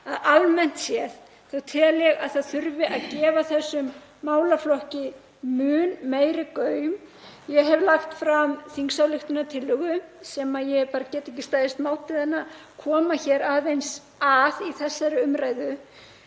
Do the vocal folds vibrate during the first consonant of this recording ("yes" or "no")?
yes